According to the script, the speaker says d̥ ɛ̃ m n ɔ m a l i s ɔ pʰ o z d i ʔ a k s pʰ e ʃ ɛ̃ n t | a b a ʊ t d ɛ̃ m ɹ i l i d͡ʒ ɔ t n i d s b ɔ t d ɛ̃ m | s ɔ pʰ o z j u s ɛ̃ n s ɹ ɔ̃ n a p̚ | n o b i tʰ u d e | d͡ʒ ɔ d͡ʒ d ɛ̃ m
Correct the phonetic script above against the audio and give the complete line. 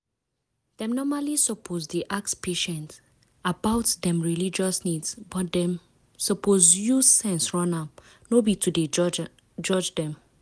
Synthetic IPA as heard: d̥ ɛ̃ m n ɔ m a l i s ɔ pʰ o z d i ʔ a k s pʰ e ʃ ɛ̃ n t | a b a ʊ t d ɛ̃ m ɹ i l i d͡ʒ ɔ s n i d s b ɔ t d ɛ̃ m | s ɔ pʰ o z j u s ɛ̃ n s ɹ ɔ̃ n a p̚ | n o b i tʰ u d e | d͡ʒ ɔ d͡ʒ d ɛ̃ m